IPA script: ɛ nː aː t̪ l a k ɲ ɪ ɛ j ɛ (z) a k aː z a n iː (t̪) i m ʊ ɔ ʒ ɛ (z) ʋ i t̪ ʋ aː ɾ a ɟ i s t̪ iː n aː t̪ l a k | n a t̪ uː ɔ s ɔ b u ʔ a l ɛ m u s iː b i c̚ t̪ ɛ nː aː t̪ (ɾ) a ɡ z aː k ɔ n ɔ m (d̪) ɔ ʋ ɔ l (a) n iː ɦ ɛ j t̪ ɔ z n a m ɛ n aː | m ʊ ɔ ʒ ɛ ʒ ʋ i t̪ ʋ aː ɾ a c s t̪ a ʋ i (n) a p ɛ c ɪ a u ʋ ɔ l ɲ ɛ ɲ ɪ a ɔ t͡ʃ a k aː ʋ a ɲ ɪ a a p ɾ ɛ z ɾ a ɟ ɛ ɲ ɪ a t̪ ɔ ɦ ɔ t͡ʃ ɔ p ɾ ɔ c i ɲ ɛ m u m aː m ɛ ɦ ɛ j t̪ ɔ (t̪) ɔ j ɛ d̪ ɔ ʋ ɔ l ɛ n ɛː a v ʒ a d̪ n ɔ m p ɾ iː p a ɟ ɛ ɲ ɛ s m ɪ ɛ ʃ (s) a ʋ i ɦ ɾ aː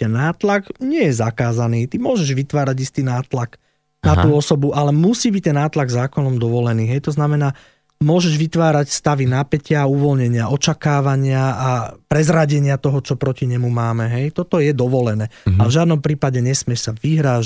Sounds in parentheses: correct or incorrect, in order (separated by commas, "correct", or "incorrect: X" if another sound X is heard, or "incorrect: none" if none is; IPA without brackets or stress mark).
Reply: correct, correct, incorrect: ʒ, incorrect: l, correct, incorrect: ɛ, correct, correct, correct